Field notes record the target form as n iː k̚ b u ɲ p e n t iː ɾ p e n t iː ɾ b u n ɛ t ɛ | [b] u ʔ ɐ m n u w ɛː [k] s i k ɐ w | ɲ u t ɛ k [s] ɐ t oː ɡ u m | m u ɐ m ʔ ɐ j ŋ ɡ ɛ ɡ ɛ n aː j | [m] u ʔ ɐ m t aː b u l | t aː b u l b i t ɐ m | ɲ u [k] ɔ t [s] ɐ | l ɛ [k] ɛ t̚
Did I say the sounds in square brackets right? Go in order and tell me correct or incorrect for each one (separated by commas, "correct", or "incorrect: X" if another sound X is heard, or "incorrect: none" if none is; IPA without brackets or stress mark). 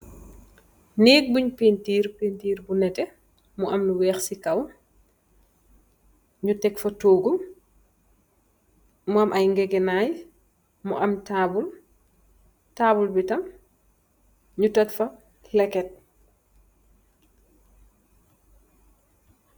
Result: incorrect: m, incorrect: x, incorrect: f, correct, incorrect: t, incorrect: f, correct